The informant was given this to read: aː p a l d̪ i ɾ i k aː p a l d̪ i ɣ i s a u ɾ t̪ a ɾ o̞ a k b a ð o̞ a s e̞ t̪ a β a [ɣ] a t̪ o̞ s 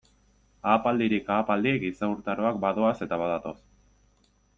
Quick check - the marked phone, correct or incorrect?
incorrect: ð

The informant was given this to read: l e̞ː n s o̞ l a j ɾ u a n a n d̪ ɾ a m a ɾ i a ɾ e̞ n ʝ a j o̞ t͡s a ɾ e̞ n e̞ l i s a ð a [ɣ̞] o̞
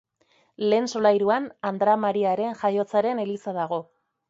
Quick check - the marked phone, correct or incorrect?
correct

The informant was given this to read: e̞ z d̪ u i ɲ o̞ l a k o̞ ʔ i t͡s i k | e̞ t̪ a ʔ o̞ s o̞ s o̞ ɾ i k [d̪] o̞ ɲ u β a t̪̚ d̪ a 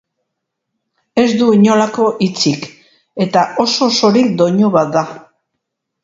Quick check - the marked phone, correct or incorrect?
correct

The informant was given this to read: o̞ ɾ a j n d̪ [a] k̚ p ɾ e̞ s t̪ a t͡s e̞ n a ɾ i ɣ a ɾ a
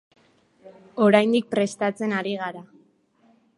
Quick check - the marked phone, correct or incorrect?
incorrect: i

